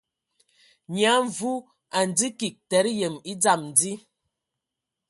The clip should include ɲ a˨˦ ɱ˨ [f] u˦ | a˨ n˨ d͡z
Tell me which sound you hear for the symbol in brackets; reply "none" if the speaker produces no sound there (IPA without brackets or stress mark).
v